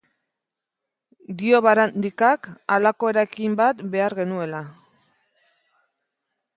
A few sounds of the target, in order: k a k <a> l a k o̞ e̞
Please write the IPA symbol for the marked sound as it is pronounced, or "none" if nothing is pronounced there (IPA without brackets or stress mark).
a